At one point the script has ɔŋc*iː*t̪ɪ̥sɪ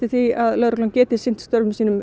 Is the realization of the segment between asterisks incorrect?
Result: yes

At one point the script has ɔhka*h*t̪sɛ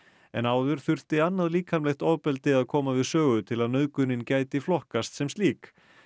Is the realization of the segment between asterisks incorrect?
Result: yes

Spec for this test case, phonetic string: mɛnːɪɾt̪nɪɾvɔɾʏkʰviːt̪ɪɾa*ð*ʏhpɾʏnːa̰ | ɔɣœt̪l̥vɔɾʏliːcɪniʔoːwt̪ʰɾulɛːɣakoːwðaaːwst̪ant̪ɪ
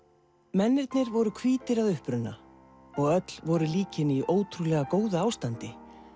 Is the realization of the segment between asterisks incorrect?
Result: no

